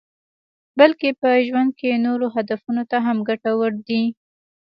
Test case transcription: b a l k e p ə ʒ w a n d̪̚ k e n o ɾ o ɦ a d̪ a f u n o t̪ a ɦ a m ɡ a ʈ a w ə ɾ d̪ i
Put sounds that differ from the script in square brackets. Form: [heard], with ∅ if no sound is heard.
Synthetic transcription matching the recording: b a l k e p ə ʒ w a n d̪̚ k e n o ɾ o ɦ a d̪ a f u n o t̪ a ɦ a m ɡ a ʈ a w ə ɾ d̪ i